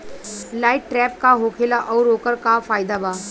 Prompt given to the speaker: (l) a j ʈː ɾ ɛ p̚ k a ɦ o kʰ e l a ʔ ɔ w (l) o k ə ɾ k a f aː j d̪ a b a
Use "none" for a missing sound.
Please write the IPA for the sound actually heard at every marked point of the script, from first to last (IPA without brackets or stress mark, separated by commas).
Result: l, ɾ